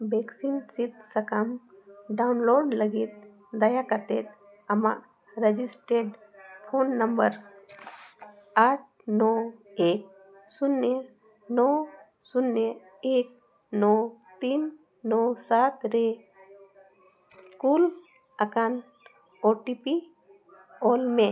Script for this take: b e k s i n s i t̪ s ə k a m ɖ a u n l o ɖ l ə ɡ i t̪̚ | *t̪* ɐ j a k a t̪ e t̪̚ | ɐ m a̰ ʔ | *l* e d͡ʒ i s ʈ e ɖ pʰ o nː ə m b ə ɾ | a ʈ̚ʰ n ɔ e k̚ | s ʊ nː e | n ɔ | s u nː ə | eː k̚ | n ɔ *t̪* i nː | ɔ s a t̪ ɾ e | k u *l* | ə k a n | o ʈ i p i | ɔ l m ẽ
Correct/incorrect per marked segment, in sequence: incorrect: d̪, incorrect: ɾ, correct, correct

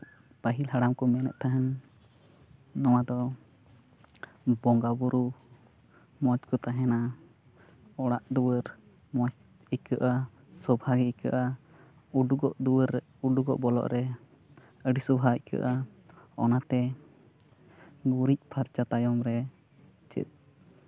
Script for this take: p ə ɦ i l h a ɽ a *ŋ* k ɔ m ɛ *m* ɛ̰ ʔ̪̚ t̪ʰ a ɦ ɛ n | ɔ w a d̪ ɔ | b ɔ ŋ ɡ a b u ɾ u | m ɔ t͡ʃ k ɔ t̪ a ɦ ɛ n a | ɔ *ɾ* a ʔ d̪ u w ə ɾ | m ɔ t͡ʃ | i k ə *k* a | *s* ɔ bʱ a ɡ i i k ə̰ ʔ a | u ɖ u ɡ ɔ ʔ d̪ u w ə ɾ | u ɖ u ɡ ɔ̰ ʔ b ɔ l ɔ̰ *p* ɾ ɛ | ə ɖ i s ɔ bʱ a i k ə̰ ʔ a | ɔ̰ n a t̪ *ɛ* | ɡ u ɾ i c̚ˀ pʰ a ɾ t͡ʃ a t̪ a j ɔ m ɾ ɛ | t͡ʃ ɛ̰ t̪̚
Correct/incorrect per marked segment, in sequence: incorrect: m, incorrect: n, incorrect: ɽ, incorrect: ʔ, correct, incorrect: ʔ, correct

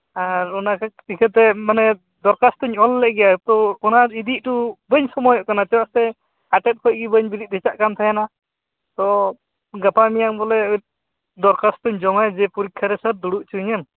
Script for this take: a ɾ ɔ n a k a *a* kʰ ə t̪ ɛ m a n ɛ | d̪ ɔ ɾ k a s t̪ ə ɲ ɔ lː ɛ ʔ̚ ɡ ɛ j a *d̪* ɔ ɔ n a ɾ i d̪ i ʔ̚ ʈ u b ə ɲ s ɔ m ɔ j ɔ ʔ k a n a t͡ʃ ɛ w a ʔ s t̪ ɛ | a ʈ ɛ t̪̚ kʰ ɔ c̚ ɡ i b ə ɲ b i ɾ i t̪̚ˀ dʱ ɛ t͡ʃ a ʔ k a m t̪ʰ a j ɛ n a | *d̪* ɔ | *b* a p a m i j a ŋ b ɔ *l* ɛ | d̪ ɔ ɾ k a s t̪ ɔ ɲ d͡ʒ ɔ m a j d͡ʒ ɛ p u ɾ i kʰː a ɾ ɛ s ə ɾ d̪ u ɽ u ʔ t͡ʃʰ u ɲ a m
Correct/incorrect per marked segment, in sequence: incorrect: i, incorrect: t̪, incorrect: t̪, incorrect: ɡ, correct

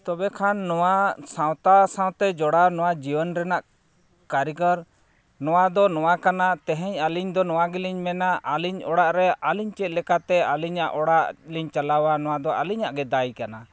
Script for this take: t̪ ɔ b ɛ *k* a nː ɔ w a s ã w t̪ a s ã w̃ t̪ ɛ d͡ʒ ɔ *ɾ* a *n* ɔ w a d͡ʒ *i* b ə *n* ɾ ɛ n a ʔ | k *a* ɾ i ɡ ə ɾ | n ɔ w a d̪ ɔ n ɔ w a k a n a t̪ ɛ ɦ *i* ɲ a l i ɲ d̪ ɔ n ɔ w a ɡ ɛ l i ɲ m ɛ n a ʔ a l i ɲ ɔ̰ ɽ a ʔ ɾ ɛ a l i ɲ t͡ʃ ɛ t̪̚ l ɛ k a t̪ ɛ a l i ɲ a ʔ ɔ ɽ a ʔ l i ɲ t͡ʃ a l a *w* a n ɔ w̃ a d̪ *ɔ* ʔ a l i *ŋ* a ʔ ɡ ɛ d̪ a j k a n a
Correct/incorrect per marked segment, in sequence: incorrect: kʰ, incorrect: ɽ, correct, correct, correct, correct, incorrect: ɛ, correct, correct, incorrect: ɲ

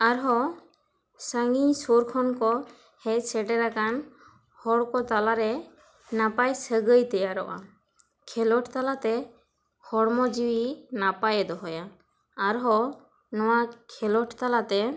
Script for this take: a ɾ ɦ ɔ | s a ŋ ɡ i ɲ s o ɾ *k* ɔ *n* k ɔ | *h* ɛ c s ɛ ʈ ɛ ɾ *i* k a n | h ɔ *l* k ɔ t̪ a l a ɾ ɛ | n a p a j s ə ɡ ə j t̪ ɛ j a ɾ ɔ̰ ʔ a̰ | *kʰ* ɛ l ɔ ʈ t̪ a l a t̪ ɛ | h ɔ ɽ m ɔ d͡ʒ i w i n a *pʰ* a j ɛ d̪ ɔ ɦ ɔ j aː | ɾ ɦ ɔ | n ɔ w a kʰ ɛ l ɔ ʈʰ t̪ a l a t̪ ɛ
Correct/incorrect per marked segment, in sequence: incorrect: kʰ, correct, correct, incorrect: a, incorrect: ɽ, correct, incorrect: p

